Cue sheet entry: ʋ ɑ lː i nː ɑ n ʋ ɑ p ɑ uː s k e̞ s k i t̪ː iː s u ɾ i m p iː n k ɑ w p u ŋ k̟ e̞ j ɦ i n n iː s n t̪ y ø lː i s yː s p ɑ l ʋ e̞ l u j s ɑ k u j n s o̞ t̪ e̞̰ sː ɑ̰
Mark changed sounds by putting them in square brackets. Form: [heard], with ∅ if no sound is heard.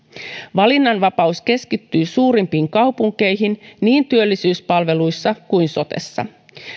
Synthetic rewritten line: ʋ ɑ [l] i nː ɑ n ʋ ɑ p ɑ [u] s k e̞ s k i t̪ː [yː] s [uː] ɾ i m p iː [ŋ] k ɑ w p u ŋ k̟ e̞ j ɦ i n n iː [∅] n t̪ y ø lː i s yː s p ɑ l ʋ e̞ l u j [sː] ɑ k u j n s o̞ t̪ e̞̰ sː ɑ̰